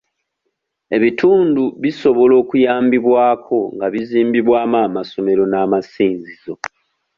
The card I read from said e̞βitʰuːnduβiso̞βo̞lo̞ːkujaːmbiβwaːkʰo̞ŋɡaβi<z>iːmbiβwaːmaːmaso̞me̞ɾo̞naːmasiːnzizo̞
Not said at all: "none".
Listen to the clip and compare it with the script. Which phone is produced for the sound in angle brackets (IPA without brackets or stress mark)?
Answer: z